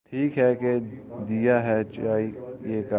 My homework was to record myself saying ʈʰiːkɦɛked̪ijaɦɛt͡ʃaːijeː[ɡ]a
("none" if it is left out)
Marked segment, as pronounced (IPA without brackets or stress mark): k